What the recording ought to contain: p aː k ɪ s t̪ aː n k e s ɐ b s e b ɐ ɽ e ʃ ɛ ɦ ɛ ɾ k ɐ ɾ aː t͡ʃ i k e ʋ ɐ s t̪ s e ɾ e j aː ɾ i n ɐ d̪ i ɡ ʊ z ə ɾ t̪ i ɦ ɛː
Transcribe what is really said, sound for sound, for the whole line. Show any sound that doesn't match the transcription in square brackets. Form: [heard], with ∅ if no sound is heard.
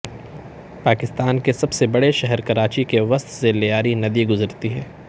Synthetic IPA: p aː k ɪ s t̪ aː n k e s ɐ b s e b ɐ ɽ e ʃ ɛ ɦ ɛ ɾ k ɐ ɾ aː t͡ʃ i k e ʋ ɐ s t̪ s e [l] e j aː ɾ i n ɐ d̪ i ɡ ʊ z ə ɾ t̪ i ɦ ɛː

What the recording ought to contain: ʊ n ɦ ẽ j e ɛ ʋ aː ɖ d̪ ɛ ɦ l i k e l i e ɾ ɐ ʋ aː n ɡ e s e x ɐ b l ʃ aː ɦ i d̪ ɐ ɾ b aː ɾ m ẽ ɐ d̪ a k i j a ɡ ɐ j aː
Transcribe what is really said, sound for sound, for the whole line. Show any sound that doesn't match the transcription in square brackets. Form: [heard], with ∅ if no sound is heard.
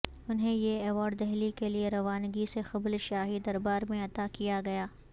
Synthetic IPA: ʊ n ɦ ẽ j e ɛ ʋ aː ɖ d̪ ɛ ɦ l i k e l i e ɾ ɐ ʋ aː n ɡ [i] s e x ɐ b l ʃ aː ɦ i d̪ ɐ ɾ b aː ɾ m ẽ ɐ [t̪] a k i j a ɡ ɐ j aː

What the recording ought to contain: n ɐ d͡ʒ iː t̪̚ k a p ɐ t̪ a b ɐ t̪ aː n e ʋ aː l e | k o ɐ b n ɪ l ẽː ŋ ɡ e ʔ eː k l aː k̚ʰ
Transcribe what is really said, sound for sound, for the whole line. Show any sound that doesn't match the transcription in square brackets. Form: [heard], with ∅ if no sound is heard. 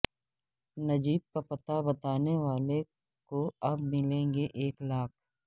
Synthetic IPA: n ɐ d͡ʒ iː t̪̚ k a p ɐ t̪ a b ɐ t̪ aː n e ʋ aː l e | k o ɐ b [m] ɪ l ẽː ŋ ɡ e ʔ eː k l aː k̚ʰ

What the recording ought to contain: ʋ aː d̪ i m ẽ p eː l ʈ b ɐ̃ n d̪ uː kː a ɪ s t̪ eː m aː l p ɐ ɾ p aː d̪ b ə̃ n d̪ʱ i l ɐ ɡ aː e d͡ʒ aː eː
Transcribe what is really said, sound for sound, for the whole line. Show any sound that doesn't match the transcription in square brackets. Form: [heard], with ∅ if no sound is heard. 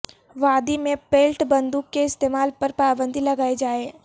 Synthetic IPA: ʋ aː d̪ i m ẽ p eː l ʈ b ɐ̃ n d̪ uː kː [e] ɪ s t̪ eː m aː l p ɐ ɾ p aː [∅] b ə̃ n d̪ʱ i l ɐ ɡ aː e d͡ʒ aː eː

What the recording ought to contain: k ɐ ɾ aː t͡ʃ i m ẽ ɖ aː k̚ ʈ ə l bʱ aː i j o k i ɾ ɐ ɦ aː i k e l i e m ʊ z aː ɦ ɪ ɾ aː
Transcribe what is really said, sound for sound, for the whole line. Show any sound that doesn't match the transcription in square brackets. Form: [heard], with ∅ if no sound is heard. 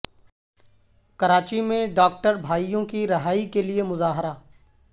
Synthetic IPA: k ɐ ɾ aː t͡ʃ i m ẽ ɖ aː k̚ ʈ ə [ɾ] bʱ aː i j [õ] k i ɾ ɐ ɦ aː i k e l i e m ʊ z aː ɦ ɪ ɾ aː

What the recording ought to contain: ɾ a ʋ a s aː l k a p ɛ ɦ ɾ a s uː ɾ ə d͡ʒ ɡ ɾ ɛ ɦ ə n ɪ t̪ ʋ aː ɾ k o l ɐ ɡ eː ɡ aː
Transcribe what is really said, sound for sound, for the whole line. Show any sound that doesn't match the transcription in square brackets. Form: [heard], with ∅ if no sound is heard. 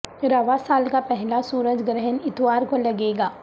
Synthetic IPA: ɾ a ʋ a s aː l k a p ɛ ɦ [l] a s uː ɾ ə d͡ʒ ɡ ɾ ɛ ɦ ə n ɪ t̪ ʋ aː ɾ k o l ɐ ɡ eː ɡ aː

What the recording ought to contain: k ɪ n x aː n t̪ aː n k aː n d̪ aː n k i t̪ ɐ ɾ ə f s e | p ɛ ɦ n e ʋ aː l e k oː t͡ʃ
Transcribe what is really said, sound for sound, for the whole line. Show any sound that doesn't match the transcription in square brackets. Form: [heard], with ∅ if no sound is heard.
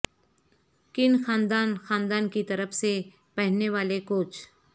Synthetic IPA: k ɪ n x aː n [d̪] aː n [x] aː n d̪ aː n k i t̪ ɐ ɾ ə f s e | p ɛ ɦ n e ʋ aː l e k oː t͡ʃ

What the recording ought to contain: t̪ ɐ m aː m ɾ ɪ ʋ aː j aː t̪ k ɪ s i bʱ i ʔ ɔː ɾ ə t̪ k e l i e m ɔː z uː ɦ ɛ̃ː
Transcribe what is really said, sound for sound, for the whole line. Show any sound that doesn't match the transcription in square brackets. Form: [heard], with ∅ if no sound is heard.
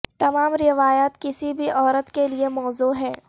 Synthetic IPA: t̪ ɐ m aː m ɾ ɪ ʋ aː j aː t̪ k ɪ s i bʱ i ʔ ɔː ɾ ə t̪ k e l i e m ɔː z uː ɦ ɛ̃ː

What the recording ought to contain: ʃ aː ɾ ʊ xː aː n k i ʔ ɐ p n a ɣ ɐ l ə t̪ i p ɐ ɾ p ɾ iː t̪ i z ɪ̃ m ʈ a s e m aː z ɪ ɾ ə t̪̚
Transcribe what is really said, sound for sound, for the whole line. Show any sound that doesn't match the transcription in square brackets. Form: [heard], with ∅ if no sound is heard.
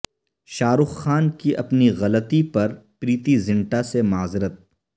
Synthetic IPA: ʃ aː ɾ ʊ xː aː n k i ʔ ɐ p n [i] ɣ ɐ l ə t̪ i p ɐ ɾ p ɾ iː t̪ i z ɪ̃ [ɳ] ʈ a s e m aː z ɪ ɾ ə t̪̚

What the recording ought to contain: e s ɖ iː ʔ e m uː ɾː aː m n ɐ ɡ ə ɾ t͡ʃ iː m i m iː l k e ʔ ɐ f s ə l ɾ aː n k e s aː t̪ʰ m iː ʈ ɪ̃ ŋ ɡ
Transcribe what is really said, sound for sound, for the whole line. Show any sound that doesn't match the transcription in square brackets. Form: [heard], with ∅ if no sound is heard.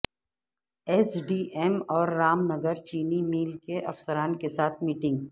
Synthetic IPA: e s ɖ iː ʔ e m [ɔː] ɾː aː m n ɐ ɡ ə ɾ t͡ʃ iː [n] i m iː l k e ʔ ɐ f s ə [∅] ɾ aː n k e s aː t̪ʰ m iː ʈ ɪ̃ ŋ ɡ

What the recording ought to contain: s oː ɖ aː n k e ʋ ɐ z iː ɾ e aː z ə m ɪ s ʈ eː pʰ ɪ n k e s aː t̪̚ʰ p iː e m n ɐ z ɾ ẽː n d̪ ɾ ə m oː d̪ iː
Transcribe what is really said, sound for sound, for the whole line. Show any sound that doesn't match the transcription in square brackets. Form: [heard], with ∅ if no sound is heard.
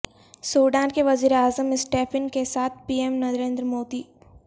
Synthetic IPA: s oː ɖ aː n k e ʋ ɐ z iː ɾ e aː z ə m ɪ s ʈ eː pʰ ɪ n k e s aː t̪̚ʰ p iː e m n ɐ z ɾ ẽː n d̪ ɾ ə m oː d̪ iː

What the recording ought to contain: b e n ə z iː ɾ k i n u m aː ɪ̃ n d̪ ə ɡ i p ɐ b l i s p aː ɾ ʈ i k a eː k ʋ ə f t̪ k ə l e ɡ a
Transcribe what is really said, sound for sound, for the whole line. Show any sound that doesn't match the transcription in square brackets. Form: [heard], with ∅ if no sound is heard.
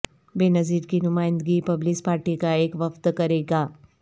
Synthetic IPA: b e n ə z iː ɾ k i n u m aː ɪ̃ n d̪ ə ɡ i p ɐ b l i s p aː ɾ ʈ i k a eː k ʋ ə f t̪ k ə [ɾ] e ɡ a

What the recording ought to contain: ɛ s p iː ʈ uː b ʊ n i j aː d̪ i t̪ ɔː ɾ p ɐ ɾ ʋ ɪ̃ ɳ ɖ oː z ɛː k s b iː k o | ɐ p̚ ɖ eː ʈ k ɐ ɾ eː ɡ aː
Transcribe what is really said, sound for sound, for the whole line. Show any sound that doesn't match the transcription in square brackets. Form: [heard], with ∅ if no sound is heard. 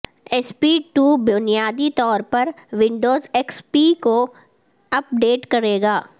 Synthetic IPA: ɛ s p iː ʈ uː b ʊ n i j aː d̪ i t̪ ɔː ɾ p ɐ ɾ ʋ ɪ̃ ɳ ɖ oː z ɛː k s [p] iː k o | ɐ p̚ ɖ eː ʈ k ɐ ɾ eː ɡ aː

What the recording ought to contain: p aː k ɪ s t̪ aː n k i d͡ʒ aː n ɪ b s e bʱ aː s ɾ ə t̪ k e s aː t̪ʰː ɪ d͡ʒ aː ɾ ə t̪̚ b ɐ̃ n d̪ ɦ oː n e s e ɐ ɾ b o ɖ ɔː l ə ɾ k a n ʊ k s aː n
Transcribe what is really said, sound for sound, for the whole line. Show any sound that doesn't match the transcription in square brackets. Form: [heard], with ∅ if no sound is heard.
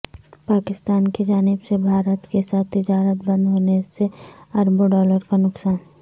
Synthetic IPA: p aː k ɪ s t̪ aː n k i d͡ʒ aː n ɪ b s e bʱ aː [∅] ɾ ə t̪ k e s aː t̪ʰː ɪ d͡ʒ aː ɾ ə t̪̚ b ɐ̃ n d̪ ɦ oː n e s e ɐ ɾ b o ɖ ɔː l ə ɾ k a n ʊ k s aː n

